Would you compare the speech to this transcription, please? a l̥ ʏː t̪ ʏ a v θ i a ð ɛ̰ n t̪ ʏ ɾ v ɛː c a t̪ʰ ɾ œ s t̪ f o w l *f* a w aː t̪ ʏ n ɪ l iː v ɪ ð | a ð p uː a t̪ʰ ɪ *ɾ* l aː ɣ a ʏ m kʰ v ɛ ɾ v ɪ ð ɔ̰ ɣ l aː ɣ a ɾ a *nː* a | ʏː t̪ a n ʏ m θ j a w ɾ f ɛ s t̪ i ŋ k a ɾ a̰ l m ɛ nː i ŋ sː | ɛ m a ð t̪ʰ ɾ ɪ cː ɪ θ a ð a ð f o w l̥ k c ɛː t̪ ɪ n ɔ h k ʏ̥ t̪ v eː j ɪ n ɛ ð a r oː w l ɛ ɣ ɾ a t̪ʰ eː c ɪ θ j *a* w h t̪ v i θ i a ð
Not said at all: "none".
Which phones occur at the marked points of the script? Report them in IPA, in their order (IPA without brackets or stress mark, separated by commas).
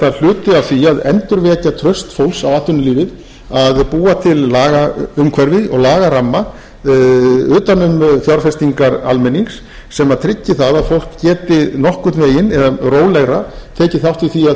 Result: s, l, mː, a